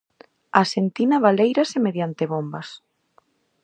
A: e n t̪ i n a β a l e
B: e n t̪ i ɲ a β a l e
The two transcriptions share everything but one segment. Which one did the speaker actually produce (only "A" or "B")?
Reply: A